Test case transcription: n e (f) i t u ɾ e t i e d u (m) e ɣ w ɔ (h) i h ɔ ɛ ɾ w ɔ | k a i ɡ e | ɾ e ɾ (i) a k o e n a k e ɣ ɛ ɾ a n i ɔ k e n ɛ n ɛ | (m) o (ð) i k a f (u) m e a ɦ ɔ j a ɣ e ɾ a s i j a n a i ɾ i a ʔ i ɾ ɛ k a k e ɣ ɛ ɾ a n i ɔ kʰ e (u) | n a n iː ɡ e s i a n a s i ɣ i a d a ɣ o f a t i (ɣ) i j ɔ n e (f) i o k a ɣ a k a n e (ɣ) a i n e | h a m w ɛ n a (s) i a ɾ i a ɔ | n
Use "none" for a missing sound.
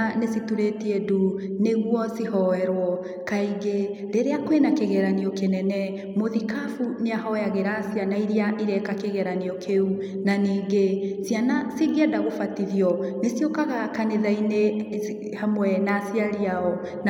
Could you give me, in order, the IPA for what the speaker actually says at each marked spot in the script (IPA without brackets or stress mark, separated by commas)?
s, n, s, e, m, ð, u, u, ð, s, ð, s